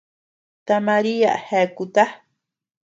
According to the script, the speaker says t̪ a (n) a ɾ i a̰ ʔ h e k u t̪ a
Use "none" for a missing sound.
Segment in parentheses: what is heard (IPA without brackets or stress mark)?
m